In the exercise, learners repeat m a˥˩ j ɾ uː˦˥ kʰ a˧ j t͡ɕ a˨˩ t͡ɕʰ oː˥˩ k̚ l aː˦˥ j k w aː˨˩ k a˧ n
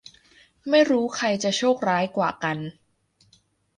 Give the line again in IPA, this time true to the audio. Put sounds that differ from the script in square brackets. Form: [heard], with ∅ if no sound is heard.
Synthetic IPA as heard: m a˥˩ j ɾ uː˦˥ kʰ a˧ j t͡ɕ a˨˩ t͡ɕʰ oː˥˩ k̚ [ɾ] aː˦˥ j k w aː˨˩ k a˧ n